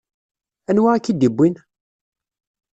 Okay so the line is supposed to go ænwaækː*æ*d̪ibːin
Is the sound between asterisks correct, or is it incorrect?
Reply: incorrect